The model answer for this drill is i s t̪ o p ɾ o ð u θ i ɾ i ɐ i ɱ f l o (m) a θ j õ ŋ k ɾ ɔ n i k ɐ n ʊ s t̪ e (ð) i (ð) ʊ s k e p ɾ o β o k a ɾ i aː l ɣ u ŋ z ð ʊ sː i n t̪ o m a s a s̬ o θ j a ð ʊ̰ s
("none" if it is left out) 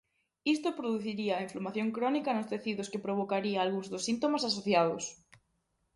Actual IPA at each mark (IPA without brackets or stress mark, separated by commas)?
m, θ, ð